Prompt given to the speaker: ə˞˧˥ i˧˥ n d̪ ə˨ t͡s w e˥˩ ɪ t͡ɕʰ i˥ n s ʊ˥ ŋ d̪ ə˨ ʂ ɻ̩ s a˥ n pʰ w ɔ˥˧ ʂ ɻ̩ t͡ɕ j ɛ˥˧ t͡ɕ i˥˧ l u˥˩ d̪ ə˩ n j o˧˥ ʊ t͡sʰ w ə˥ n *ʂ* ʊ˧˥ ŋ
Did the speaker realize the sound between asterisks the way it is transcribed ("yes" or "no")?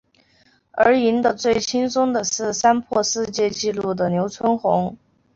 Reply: no